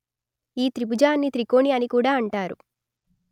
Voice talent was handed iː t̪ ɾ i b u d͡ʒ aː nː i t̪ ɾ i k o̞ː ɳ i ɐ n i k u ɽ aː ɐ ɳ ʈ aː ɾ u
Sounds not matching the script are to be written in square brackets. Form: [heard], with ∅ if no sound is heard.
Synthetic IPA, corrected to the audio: iː t̪ ɾ i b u d͡ʒ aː nː i t̪ ɾ i k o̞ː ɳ i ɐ n i k [uː] ɽ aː ɐ ɳ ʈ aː ɾ u

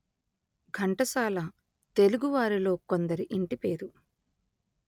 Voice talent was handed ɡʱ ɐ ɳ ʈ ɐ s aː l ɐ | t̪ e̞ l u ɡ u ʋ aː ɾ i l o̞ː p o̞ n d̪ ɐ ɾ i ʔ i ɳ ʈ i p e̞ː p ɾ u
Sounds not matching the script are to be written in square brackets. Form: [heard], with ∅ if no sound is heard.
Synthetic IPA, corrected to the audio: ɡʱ ɐ ɳ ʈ ɐ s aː l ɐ | t̪ e̞ l u ɡ u ʋ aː ɾ i l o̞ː [k] o̞ n d̪ ɐ ɾ i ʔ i ɳ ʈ i p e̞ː [∅] ɾ u

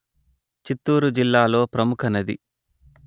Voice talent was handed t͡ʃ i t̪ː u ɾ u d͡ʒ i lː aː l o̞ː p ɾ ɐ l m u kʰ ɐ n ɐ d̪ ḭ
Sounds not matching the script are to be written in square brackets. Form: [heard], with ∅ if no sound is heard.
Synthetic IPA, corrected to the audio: t͡ʃ i t̪ː [uː] ɾ u d͡ʒ i lː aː l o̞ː p ɾ ɐ [∅] m u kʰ ɐ n ɐ d̪ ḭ

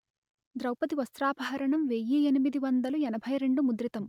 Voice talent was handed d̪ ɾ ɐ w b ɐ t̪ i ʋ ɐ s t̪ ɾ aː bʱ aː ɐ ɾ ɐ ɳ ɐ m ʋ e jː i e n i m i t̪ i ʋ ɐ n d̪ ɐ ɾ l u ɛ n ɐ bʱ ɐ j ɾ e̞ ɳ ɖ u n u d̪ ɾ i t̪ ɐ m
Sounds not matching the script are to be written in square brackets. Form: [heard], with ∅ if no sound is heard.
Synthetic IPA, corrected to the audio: d̪ ɾ ɐ w [p] ɐ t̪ i ʋ ɐ s t̪ ɾ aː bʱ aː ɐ ɾ ɐ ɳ ɐ m ʋ e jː i e n i m i [d̪] i ʋ ɐ n d̪ ɐ [∅] l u ɛ n ɐ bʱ ɐ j ɾ e̞ ɳ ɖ u [m] u d̪ ɾ i t̪ ɐ m

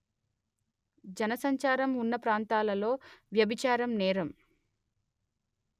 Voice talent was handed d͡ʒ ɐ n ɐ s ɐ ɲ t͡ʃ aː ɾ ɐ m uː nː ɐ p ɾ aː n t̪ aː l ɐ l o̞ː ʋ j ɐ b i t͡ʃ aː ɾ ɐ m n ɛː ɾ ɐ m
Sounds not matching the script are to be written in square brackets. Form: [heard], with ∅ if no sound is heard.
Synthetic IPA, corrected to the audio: d͡ʒ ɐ n ɐ s ɐ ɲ t͡ʃ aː ɾ ɐ m [u] nː ɐ p ɾ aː n t̪ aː l ɐ l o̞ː ʋ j ɐ b i t͡ʃ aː ɾ ɐ m n ɛː ɾ ɐ m

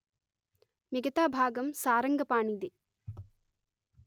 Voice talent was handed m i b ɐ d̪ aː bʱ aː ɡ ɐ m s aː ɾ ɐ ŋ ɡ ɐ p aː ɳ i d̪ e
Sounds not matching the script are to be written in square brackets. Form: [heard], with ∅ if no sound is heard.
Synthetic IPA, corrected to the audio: m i [ɡ] ɐ [t̪] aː bʱ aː ɡ ɐ m s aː ɾ ɐ ŋ ɡ ɐ p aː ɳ i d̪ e

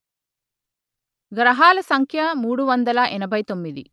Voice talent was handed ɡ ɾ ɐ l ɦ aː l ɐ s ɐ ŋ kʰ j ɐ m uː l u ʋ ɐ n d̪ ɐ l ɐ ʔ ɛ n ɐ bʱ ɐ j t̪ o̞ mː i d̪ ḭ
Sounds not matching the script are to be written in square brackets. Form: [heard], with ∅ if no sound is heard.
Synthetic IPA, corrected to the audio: ɡ ɾ ɐ [∅] ɦ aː l ɐ s ɐ ŋ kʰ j ɐ m uː [ɽ] u ʋ ɐ n d̪ ɐ l ɐ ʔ ɛ n ɐ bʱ ɐ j t̪ o̞ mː i d̪ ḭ

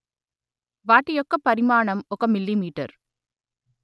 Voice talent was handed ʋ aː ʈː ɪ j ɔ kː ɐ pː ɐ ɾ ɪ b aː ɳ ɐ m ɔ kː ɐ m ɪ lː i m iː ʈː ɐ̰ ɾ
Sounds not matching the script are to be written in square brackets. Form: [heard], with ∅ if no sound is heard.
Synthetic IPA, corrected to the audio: ʋ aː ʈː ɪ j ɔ kː ɐ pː ɐ ɾ ɪ [m] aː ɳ ɐ m ɔ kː ɐ m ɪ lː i m iː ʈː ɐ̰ ɾ

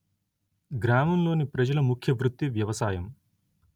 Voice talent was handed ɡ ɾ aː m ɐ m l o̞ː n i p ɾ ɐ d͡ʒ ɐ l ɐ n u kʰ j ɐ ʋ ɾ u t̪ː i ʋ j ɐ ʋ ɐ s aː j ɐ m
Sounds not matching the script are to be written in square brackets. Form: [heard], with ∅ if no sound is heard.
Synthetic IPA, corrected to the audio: ɡ ɾ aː m ɐ m l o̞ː n i p ɾ ɐ d͡ʒ ɐ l ɐ [m] u kʰ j ɐ ʋ ɾ u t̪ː i ʋ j ɐ ʋ ɐ s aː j ɐ m

